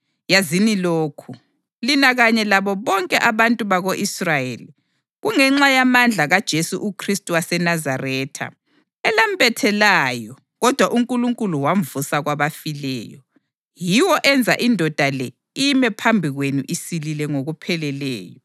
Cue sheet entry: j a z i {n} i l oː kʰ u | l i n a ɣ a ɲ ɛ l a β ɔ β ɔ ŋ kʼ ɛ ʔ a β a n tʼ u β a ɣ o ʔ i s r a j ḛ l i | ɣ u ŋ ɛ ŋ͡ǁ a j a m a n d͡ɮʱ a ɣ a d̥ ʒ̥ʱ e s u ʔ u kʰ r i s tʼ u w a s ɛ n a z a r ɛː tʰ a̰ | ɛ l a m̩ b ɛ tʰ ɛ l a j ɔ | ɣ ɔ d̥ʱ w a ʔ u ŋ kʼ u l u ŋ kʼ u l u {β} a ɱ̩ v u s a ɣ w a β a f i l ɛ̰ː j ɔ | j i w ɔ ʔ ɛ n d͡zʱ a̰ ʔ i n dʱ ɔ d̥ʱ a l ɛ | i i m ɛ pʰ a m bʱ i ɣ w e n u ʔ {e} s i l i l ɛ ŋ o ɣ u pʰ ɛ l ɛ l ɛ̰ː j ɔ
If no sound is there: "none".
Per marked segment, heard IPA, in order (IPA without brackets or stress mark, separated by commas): n, w, i